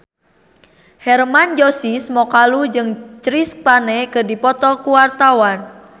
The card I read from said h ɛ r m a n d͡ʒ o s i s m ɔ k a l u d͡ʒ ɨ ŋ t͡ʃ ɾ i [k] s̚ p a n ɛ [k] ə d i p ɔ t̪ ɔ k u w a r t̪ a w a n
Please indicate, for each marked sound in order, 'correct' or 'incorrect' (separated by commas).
incorrect, correct